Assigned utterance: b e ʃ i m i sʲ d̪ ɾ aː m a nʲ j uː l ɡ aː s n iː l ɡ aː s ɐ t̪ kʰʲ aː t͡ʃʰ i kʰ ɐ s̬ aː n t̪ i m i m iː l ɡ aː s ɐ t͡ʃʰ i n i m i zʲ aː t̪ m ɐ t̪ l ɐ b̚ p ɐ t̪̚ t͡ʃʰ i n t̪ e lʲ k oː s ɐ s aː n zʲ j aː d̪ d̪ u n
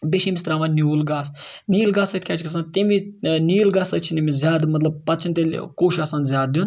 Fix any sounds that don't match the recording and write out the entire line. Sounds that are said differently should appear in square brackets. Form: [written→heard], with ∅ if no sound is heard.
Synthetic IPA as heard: b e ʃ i m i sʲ [d̪→t̪] ɾ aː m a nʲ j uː l ɡ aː s n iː l ɡ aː s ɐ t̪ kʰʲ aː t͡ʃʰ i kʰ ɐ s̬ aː n t̪ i m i [m→n] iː l ɡ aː s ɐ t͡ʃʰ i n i m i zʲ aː [t̪→d̪] m ɐ t̪ l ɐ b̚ p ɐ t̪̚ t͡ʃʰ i n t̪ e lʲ k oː [s→ʃ] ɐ s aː n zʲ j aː d̪ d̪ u n

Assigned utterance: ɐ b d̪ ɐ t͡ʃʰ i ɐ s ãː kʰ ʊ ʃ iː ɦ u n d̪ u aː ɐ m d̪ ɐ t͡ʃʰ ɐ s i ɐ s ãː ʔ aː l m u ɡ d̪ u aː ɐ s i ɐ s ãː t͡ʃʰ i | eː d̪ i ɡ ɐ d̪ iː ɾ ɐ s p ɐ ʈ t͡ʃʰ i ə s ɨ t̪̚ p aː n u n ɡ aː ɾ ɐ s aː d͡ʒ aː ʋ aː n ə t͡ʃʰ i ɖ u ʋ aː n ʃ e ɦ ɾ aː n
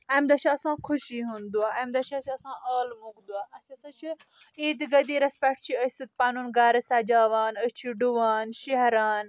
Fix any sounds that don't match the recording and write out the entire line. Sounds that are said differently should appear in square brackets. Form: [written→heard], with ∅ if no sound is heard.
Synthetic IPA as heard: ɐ [b→m] d̪ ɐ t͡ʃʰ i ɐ s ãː kʰ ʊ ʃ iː ɦ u n d̪ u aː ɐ m d̪ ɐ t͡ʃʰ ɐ s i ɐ s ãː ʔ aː l m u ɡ d̪ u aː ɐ s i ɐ s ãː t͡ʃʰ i | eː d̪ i ɡ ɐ d̪ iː ɾ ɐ s p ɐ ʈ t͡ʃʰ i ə s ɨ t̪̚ p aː n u n ɡ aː ɾ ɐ s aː d͡ʒ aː ʋ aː n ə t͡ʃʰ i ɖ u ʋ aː n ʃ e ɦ ɾ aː n

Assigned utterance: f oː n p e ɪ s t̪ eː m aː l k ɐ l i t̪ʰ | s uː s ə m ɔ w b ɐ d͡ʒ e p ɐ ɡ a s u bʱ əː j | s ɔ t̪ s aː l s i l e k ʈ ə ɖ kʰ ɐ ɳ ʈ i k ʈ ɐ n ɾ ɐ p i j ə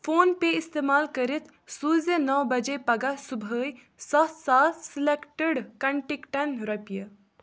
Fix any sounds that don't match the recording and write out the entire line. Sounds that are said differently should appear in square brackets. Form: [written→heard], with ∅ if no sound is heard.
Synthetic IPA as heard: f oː n p e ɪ s t̪ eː m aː l k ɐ [l→ɾ] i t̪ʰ | s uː [s→z] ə [m→n] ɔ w b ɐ d͡ʒ e p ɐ ɡ a s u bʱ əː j | s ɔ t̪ s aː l s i l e k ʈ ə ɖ [kʰ→k] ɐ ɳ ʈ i k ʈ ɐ n ɾ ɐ p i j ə

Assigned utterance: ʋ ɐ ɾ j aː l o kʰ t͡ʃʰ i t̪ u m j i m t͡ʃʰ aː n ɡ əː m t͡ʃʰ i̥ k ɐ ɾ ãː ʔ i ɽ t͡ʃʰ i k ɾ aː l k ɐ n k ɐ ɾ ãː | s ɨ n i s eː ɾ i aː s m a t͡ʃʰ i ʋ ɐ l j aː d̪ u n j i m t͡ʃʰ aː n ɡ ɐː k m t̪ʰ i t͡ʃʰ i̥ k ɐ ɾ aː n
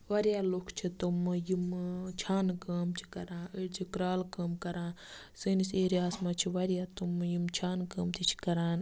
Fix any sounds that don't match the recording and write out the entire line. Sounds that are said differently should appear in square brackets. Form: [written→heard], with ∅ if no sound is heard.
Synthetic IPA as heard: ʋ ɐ ɾ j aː l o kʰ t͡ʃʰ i t̪ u m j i m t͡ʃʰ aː n [ɡ→k] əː m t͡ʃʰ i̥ k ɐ ɾ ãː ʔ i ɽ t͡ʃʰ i k ɾ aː l k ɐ [n→m] k ɐ ɾ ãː | s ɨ n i s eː ɾ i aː s m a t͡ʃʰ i ʋ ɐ [l→ɾ] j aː [d̪→t̪] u [n→m] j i m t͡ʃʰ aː n [ɡ→k] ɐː [k→∅] m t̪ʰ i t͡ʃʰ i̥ k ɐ ɾ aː n

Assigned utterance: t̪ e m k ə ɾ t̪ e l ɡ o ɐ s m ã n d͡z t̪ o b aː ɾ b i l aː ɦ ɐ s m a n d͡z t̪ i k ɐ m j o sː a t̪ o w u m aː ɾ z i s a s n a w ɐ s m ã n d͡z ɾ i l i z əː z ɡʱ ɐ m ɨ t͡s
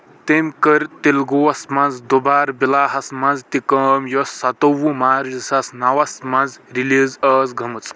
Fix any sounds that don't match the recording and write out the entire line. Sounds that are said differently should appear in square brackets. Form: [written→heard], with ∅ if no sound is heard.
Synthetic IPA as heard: t̪ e m k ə ɾ t̪ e l ɡ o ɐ s m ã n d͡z [t̪→d̪] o b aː ɾ b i l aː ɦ ɐ s m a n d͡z t̪ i k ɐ m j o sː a t̪ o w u m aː ɾ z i s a s n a w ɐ s m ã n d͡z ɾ i l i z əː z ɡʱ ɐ m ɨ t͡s

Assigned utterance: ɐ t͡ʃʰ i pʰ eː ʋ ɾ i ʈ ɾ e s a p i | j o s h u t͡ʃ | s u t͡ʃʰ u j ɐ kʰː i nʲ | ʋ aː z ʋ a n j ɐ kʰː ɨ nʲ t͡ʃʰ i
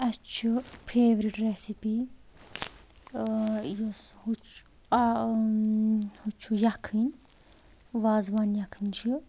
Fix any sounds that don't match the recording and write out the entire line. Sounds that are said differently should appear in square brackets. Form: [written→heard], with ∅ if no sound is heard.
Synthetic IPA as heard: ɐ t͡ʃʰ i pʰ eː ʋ ɾ i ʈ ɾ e s [a→i] p i | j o s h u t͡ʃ | [s→h] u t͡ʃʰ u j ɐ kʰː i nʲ | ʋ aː z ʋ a n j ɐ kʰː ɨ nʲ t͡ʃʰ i

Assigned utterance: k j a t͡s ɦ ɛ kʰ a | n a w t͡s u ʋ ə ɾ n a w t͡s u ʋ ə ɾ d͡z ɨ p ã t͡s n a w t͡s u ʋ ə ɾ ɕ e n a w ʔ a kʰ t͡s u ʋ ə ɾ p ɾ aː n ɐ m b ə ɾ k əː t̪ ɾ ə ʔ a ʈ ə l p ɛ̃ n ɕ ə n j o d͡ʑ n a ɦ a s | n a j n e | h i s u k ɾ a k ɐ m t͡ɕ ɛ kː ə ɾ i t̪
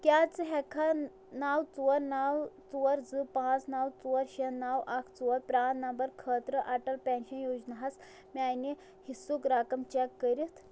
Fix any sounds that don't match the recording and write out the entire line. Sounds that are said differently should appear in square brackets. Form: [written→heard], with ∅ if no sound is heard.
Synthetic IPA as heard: k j a t͡s ɦ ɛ kʰ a | n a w t͡s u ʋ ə ɾ n a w t͡s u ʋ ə ɾ d͡z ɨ p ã t͡s n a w t͡s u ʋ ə ɾ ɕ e n a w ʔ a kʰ t͡s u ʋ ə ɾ p ɾ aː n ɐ m b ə ɾ [k→kʰ] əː t̪ ɾ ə ʔ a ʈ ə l p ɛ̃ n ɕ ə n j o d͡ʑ n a ɦ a s | [n→m] a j n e | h i s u k ɾ a k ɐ m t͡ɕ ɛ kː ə ɾ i t̪

